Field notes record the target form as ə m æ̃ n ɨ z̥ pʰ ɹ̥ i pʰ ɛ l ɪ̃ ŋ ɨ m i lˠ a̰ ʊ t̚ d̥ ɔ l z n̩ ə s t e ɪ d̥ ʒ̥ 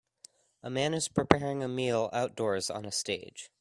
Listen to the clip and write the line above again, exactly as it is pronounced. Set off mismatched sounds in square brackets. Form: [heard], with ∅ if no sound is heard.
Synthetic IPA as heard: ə m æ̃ n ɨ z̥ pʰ ɹ̥ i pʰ ɛ [ɹ] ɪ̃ ŋ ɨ m i lˠ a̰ ʊ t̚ d̥ ɔ [ɹ] z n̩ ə s t e ɪ d̥ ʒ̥